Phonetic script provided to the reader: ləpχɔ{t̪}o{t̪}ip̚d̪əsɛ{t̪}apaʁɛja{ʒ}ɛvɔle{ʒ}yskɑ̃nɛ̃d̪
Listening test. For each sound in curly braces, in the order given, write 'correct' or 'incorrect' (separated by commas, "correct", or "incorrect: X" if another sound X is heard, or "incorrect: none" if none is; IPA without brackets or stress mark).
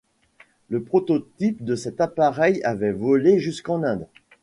correct, correct, correct, incorrect: v, correct